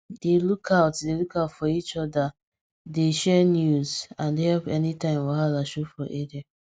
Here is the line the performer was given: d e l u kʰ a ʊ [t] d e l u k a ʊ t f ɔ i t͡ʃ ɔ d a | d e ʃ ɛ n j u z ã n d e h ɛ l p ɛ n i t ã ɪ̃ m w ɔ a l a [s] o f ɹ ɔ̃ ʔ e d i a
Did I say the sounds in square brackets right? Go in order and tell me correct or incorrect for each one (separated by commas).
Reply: correct, incorrect